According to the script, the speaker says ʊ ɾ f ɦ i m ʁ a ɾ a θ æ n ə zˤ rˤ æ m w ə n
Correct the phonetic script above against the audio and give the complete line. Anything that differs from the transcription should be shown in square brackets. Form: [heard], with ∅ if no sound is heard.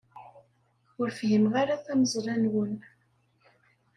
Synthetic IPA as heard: ʊ ɾ f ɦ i m ʁ a ɾ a θ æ [m] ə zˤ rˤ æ [n] w ə n